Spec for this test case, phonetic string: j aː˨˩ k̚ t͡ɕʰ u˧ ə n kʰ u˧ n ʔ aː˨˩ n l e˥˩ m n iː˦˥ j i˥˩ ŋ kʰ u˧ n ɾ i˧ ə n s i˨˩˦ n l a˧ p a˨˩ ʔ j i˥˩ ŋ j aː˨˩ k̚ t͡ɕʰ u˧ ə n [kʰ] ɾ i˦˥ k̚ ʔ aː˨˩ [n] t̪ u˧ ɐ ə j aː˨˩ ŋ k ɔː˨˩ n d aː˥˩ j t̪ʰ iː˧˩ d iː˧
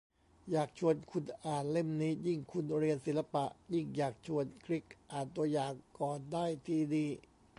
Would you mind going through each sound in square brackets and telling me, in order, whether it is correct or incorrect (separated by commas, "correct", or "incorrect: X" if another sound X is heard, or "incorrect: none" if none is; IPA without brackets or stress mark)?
correct, correct